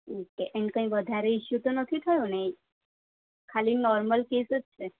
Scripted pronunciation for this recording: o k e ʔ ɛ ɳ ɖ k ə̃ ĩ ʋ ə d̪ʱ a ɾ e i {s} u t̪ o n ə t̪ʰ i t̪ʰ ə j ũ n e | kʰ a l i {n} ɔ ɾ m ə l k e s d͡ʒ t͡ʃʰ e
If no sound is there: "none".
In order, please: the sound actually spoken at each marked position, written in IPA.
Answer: ʃ, n

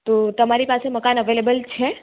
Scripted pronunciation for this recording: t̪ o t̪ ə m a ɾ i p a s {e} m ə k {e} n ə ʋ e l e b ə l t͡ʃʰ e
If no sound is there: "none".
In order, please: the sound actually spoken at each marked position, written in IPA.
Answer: e, a

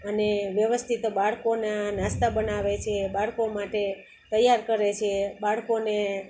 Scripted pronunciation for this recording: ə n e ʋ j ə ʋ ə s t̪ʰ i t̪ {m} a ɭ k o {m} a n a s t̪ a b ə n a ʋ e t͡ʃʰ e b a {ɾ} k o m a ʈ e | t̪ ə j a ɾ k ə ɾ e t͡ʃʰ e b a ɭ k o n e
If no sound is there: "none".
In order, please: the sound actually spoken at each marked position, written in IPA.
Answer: b, n, ɭ

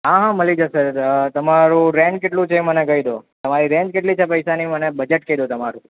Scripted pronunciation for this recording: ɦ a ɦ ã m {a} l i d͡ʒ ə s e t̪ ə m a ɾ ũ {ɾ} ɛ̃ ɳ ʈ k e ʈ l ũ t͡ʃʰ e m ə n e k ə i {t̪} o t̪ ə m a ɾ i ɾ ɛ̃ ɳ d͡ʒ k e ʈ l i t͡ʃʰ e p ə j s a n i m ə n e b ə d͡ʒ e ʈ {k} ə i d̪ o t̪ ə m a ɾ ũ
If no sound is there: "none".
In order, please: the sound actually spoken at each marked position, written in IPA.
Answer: ə, ɾ, d̪, k

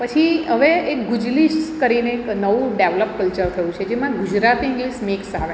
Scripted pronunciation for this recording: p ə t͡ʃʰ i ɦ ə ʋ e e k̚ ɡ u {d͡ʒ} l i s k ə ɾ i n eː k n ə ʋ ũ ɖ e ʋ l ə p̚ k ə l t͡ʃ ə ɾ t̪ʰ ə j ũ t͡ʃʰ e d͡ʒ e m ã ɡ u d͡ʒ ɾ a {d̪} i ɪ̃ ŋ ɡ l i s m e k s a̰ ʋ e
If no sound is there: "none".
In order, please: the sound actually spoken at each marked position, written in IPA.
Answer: d͡ʒ, t̪

